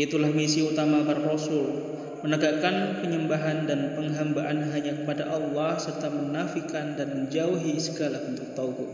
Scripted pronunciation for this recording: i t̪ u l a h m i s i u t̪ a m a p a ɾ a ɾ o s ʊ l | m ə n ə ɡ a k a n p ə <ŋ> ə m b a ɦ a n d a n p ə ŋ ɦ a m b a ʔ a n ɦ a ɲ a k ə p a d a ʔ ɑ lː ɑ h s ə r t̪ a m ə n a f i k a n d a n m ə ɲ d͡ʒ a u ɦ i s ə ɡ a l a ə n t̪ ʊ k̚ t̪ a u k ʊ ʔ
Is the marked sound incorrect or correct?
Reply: incorrect